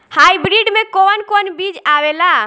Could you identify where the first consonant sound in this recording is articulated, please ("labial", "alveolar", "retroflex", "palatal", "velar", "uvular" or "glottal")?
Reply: glottal